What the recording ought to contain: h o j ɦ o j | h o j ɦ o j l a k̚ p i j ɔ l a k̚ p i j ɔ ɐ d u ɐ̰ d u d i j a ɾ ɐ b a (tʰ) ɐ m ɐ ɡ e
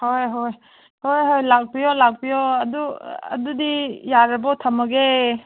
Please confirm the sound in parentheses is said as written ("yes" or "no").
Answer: yes